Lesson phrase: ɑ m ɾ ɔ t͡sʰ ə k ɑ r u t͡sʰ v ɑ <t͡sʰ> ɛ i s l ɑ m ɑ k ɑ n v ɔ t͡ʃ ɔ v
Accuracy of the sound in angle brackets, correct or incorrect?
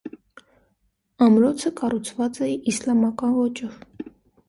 incorrect